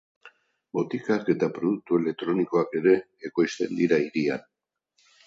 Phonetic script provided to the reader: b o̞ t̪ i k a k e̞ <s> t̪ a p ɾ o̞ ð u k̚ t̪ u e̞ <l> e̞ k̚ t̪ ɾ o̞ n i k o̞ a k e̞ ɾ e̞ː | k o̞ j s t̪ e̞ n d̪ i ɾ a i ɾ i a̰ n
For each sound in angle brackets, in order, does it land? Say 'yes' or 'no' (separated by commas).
no, yes